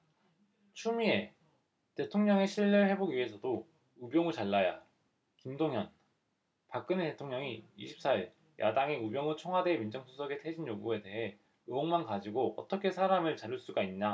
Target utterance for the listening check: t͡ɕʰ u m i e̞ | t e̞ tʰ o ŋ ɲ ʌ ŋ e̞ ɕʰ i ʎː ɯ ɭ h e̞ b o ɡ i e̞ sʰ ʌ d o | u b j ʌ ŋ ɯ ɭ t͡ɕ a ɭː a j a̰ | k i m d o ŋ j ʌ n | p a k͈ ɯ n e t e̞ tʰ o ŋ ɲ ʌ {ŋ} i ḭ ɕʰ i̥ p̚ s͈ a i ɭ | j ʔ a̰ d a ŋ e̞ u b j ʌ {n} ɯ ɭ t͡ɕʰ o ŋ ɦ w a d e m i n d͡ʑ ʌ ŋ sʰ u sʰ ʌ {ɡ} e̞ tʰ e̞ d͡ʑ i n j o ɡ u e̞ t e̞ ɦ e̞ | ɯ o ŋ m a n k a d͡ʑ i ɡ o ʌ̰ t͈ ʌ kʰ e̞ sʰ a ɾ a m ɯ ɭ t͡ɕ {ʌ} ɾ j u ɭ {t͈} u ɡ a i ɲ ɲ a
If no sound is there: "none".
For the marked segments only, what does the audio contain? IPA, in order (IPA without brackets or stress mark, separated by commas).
ŋ, ŋ, ɡ, a, s͈